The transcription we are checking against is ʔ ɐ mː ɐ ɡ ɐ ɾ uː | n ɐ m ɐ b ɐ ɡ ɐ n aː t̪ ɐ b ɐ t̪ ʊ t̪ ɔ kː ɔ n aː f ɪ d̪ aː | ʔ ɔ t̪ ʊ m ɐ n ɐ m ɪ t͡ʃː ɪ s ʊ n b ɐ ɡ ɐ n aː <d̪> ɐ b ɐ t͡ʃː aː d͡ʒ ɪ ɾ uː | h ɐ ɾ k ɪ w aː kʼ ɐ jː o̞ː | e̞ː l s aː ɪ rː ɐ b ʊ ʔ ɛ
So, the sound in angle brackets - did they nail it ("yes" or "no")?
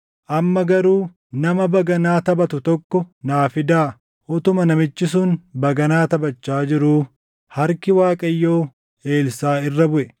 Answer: no